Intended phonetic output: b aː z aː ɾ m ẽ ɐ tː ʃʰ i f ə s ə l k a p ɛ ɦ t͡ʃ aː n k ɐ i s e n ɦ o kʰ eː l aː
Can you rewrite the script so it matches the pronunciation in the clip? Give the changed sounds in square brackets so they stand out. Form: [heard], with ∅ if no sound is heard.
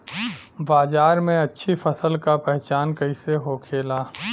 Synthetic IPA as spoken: b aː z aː ɾ m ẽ ɐ tː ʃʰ i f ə s ə l k a p ɛ ɦ t͡ʃ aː n k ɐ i s e [∅] ɦ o kʰ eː l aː